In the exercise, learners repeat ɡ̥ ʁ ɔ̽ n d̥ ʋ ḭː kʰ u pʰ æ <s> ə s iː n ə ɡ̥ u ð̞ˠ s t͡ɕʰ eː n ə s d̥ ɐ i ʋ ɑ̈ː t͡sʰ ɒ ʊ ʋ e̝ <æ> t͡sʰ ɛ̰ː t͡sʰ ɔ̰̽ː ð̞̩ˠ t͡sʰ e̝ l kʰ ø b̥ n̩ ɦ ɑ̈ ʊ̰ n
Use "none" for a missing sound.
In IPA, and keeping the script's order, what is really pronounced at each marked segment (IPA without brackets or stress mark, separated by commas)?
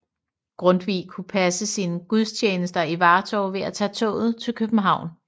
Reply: s, æ